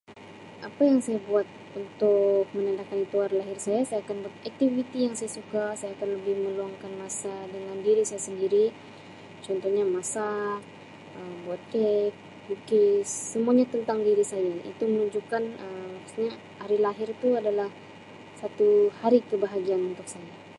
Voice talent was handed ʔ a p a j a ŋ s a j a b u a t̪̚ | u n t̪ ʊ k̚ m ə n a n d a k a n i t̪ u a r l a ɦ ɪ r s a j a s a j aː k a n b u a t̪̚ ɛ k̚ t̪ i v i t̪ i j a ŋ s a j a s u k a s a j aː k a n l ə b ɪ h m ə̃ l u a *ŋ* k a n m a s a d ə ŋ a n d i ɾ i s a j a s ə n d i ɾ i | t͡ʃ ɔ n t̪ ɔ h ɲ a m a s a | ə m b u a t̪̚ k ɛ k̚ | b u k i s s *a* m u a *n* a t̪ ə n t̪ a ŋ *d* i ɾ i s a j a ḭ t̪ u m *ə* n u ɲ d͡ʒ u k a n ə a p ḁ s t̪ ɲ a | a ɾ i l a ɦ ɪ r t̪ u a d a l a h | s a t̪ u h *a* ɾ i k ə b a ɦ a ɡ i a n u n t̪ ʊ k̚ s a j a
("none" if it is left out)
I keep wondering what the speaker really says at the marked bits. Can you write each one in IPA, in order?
ŋ, ə, ɲ, d, ə, a

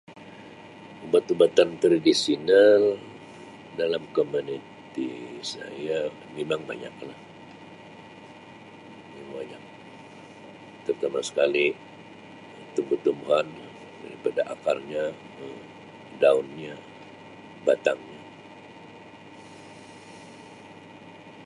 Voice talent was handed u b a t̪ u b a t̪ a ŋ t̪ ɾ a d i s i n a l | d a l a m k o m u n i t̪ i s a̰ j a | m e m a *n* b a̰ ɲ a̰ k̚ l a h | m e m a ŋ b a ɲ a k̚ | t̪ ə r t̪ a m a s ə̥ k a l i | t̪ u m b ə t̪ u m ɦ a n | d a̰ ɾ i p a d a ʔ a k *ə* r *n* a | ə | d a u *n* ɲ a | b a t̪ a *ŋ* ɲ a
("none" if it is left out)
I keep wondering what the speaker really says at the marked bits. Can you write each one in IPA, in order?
ŋ, a, ɲ, n, ŋ

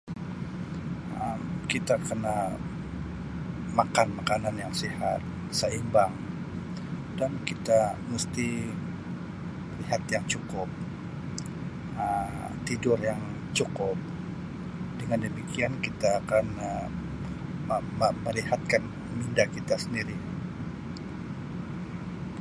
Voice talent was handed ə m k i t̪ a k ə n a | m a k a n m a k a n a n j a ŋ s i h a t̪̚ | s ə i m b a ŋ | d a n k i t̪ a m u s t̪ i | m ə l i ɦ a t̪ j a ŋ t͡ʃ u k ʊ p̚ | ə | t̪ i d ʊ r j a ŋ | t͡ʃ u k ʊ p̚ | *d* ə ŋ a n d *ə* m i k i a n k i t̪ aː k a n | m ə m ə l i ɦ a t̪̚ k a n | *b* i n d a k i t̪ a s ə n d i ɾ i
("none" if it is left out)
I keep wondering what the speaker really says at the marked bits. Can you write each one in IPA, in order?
d, ə, m

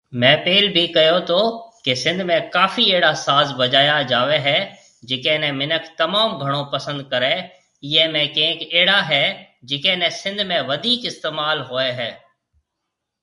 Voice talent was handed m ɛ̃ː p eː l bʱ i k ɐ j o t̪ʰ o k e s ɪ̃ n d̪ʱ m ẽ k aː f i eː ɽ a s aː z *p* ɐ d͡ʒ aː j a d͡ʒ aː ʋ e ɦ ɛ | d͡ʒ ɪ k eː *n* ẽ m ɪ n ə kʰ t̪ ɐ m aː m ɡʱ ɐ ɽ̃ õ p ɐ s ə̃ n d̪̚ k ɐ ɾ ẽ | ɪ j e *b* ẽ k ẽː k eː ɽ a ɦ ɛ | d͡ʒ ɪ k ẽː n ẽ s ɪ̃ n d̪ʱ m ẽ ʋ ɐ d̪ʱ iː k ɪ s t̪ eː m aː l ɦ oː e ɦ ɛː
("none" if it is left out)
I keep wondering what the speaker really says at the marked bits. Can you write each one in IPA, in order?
b, n, m

